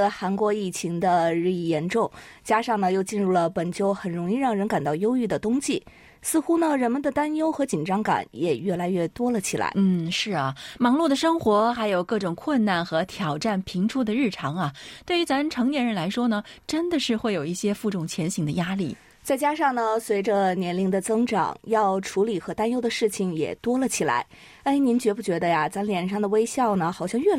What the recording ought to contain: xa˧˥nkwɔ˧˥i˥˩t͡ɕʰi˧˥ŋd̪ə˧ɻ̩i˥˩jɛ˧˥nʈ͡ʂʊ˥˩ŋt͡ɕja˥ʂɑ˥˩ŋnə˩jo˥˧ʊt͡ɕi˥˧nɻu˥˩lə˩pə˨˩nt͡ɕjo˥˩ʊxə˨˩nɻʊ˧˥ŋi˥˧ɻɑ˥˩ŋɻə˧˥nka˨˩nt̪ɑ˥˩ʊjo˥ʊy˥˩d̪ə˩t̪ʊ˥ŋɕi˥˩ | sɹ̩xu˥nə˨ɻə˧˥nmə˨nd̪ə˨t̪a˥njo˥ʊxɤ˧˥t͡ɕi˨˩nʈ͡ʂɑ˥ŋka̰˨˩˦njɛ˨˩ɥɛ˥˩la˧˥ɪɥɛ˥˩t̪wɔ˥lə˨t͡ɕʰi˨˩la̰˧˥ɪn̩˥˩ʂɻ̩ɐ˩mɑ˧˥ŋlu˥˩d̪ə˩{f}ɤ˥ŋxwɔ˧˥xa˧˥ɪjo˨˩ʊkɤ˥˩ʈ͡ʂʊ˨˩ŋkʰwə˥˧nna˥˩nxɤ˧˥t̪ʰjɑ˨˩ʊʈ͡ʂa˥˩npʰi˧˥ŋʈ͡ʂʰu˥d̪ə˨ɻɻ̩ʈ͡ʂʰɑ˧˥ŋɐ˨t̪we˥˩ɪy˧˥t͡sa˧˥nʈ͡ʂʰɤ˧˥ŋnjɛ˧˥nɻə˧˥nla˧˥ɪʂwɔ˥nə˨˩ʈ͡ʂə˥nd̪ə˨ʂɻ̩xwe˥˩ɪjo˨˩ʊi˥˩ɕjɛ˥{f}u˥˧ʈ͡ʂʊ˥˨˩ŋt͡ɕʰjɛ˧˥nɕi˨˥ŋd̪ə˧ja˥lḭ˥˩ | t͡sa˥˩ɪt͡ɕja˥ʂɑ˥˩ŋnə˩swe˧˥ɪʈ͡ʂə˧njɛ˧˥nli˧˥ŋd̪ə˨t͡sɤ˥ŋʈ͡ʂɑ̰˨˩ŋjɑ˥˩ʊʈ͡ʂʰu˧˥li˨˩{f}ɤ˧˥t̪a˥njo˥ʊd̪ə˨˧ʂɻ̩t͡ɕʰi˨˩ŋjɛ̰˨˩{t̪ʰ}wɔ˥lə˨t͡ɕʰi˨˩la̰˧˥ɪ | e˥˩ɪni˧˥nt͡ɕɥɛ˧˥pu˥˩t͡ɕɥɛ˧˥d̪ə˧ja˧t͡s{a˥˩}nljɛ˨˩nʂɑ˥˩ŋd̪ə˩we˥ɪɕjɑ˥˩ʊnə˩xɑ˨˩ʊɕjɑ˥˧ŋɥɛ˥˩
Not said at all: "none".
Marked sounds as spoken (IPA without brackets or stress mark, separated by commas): ʂ, f, x, t̪, a˧˥